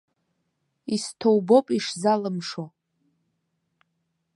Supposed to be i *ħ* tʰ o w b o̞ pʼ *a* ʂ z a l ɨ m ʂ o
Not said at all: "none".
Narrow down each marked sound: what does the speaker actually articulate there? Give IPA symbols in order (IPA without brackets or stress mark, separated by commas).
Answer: s, i